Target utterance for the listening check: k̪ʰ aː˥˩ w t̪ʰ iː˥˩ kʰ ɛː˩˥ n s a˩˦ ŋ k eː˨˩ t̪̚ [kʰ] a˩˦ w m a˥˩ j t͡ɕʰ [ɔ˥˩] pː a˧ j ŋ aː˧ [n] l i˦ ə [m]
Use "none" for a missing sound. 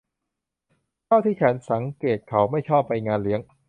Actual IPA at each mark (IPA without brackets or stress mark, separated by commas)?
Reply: kʰ, ɔː˥˩, n, ŋ